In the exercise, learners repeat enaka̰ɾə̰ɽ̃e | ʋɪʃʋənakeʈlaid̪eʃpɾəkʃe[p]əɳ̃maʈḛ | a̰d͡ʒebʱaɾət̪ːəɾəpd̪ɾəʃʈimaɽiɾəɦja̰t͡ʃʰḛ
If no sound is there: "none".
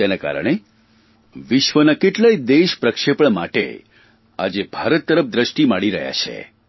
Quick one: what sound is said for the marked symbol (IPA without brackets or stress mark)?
p